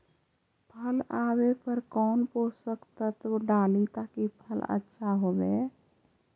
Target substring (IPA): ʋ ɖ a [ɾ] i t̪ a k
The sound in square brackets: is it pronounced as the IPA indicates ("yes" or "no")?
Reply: no